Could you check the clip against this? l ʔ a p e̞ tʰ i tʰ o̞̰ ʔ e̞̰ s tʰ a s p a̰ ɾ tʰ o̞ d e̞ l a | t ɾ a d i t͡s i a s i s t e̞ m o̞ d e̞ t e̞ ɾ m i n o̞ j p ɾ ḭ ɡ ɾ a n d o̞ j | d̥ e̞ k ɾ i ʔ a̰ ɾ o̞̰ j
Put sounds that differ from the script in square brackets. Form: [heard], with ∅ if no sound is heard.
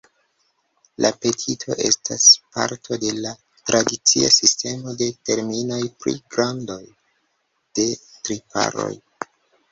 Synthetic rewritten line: l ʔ a p e̞ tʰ i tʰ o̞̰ ʔ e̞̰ s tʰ a s p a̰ ɾ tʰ o̞ d e̞ l a | t ɾ a d i t͡s i a s i s t e̞ m o̞ d e̞ t e̞ ɾ m i n o̞ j p ɾ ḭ ɡ ɾ a n d o̞ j | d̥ e̞ [t] ɾ i [p] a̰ ɾ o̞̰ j